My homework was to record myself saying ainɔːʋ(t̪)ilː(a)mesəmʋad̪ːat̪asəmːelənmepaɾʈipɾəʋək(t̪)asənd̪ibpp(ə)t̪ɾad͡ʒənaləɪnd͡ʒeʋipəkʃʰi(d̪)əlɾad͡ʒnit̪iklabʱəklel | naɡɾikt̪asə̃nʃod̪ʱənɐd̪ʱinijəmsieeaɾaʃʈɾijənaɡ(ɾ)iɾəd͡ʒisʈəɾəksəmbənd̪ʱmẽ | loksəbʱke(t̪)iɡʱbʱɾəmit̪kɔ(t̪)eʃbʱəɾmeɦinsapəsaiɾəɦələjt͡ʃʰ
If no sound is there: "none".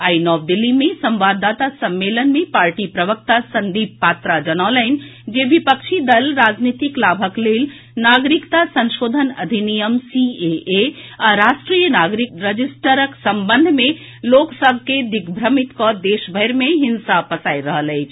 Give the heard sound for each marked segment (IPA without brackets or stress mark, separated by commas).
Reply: d̪, i, t̪, a, d̪, ɾ, d̪, d̪